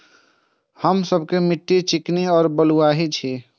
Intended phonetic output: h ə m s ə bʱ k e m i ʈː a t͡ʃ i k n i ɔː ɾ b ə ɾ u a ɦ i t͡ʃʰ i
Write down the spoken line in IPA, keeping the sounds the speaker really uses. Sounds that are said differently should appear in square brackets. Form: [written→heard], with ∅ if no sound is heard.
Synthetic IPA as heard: h ə m s ə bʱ k e m i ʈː [a→i] t͡ʃ i k n i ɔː ɾ b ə [ɾ→l] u a ɦ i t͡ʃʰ i